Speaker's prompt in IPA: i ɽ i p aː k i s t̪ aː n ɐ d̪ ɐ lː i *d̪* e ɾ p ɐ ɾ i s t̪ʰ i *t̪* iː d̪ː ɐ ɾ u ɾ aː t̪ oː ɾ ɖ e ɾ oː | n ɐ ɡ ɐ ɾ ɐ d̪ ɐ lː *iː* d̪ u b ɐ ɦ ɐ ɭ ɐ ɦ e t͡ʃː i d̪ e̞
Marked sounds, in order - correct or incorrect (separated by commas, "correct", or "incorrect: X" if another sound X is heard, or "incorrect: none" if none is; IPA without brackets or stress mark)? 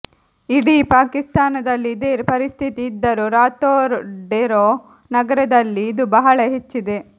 correct, correct, correct